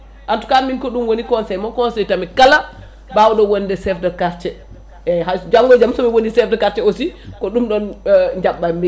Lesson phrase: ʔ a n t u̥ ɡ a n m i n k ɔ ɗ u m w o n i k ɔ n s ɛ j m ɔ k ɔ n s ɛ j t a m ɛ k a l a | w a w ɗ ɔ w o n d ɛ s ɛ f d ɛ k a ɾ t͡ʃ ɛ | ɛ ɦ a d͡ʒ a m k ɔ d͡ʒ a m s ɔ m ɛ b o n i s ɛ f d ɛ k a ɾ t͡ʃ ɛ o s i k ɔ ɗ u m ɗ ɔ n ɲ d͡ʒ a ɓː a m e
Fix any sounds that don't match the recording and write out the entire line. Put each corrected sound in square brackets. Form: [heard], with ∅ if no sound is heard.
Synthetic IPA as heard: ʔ a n t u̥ [k] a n m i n k ɔ ɗ u m w o n i k ɔ n s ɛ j m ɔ k ɔ n s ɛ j t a m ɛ k a l a | [b] a w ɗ ɔ w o n d ɛ s ɛ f d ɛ k a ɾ t͡ʃ ɛ | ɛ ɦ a d͡ʒ a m [ɡ] ɔ d͡ʒ a m s ɔ m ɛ [w] o n i s ɛ f d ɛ k a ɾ t͡ʃ ɛ o s i k ɔ ɗ u m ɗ ɔ n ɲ d͡ʒ a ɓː a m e